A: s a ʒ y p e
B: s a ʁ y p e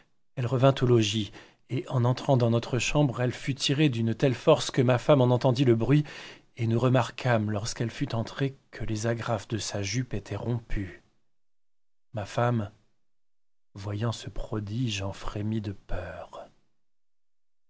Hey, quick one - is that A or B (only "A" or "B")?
A